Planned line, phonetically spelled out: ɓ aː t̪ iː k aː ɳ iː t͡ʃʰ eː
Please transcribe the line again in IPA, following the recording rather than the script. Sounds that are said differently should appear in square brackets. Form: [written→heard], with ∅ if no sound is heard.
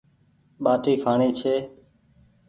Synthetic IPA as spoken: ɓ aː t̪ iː [k→kʰ] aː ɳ iː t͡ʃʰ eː